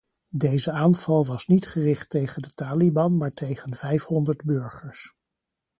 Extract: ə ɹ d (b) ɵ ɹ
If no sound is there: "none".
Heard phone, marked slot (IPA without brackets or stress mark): b